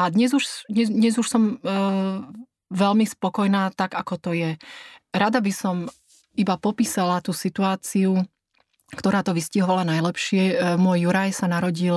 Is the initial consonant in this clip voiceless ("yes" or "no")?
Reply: no